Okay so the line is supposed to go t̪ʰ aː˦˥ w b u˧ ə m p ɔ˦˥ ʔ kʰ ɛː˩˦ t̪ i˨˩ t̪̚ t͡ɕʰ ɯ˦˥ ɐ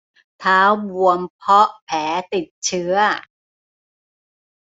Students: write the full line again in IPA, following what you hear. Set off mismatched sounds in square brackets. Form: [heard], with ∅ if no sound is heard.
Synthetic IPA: t̪ʰ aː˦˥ w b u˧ ə m [pʰ] ɔ˦˥ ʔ [pʰ] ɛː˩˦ t̪ i˨˩ t̪̚ t͡ɕʰ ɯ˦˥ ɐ

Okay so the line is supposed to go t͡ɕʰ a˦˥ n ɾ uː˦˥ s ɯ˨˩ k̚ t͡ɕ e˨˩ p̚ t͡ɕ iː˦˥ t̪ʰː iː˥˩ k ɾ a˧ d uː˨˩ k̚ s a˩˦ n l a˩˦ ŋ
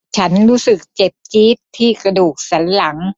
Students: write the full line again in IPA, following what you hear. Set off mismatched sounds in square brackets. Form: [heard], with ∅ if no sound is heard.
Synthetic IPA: t͡ɕʰ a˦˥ n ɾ uː˦˥ s ɯ˨˩ k̚ t͡ɕ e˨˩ p̚ t͡ɕ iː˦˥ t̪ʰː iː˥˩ k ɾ a˧ d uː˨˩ k̚ s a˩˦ n l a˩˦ ŋ

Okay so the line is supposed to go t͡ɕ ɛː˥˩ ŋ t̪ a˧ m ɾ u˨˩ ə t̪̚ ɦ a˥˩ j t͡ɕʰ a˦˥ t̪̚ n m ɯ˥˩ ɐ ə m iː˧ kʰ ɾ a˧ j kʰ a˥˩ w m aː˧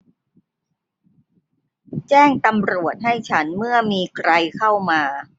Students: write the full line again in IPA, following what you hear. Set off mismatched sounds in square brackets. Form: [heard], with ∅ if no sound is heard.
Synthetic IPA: t͡ɕ ɛː˥˩ ŋ t̪ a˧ m ɾ u˨˩ ə t̪̚ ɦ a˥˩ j t͡ɕʰ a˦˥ [∅] n m ɯ˥˩ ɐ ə m iː˧ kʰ ɾ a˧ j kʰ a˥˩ w m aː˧

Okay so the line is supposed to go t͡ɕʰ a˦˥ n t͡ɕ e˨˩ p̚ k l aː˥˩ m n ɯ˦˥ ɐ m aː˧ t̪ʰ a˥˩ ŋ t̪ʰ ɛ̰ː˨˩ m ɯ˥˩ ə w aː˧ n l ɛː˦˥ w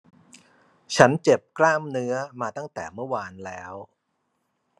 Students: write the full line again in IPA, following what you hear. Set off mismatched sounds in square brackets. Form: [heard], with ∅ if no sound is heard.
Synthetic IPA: t͡ɕʰ a˦˥ n t͡ɕ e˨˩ p̚ k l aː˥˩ m n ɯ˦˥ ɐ m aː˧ [t̪] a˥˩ ŋ [t̪] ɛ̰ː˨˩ m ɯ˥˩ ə w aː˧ n l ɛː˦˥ w

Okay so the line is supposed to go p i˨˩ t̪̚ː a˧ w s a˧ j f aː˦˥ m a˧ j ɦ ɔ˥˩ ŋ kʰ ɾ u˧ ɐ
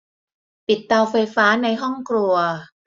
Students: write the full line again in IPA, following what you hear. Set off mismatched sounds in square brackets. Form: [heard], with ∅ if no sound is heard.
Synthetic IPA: p i˨˩ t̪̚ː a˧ w [f] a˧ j f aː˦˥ [n] a˧ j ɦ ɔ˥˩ ŋ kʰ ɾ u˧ ɐ

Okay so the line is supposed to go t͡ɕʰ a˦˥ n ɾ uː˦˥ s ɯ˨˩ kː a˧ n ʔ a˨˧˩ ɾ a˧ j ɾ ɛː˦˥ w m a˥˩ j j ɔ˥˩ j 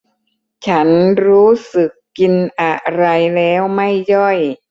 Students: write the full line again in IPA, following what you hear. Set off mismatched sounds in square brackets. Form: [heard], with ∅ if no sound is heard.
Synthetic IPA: t͡ɕʰ a˦˥ n ɾ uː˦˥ s ɯ˨˩ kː [i˧] n ʔ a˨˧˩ ɾ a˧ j [l] ɛː˦˥ w m a˥˩ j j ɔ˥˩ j

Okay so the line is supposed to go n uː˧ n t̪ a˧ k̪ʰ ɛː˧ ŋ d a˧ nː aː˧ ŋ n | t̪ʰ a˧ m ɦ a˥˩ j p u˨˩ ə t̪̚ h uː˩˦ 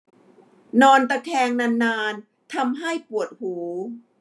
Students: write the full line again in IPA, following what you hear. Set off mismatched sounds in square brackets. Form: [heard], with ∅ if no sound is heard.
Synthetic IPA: n [ɔː˧] n t̪ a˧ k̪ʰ ɛː˧ ŋ [n] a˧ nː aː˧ [∅] n | t̪ʰ a˧ m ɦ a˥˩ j p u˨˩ ə t̪̚ h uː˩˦

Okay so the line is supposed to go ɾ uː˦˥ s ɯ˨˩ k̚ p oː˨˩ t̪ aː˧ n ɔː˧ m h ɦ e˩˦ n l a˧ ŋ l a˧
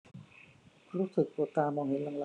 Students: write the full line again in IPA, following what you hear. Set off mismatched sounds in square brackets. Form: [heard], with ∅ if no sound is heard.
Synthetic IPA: ɾ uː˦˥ s ɯ˨˩ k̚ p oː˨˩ t̪ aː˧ [m] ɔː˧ [ŋ] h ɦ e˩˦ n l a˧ ŋ l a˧

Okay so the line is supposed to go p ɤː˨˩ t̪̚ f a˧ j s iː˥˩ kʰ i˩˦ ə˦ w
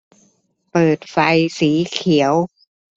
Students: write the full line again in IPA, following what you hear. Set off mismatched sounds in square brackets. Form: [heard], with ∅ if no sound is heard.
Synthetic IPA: p ɤː˨˩ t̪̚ f a˧ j s [iː˩˦] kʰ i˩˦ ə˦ w

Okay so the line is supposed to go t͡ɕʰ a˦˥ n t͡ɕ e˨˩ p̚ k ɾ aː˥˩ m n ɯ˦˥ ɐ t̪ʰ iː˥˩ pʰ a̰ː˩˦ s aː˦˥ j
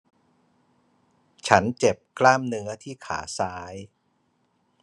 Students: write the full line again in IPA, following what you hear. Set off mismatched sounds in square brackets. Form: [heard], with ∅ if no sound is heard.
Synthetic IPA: t͡ɕʰ a˦˥ n t͡ɕ e˨˩ p̚ k [l] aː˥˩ m n ɯ˦˥ ɐ t̪ʰ iː˥˩ [kʰ] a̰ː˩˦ s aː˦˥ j

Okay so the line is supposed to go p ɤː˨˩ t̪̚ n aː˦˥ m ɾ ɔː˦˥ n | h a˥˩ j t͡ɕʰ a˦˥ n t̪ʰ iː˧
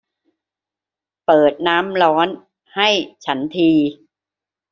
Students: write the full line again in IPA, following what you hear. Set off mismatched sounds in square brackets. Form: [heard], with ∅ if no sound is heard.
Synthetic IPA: p ɤː˨˩ t̪̚ n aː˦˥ m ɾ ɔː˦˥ n | h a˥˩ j t͡ɕʰ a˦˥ n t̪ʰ iː˧

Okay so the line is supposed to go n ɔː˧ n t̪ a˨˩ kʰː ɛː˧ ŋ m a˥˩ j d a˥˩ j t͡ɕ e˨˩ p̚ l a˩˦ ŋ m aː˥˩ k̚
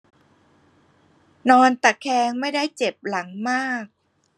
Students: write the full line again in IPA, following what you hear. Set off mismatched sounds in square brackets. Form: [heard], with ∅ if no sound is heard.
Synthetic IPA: n ɔː˧ n t̪ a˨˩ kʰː ɛː˧ ŋ m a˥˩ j d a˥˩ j t͡ɕ e˨˩ p̚ l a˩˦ ŋ m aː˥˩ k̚

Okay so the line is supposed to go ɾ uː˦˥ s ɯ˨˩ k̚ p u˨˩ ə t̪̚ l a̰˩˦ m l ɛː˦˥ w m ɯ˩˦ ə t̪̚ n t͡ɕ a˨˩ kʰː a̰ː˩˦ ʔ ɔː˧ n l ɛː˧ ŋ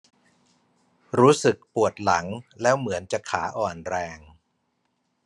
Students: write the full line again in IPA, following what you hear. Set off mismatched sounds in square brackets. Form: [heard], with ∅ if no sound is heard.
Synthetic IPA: ɾ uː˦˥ s ɯ˨˩ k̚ p u˨˩ ə t̪̚ l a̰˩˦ [ŋ] l ɛː˦˥ w m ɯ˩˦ ə [∅] n t͡ɕ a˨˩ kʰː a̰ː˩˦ ʔ [ɔː˨˩] n [ɾ] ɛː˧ ŋ

